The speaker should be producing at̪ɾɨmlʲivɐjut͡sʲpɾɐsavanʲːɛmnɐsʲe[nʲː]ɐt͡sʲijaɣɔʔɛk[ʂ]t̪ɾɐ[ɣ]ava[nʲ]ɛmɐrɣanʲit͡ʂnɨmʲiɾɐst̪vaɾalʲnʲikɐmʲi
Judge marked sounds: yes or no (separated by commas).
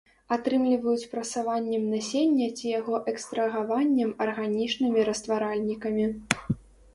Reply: yes, no, yes, no